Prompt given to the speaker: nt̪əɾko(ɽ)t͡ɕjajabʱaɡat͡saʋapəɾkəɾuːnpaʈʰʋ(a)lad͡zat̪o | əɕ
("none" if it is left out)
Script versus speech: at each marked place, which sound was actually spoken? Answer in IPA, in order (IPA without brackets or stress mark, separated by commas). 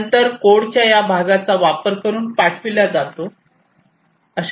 ɽ, i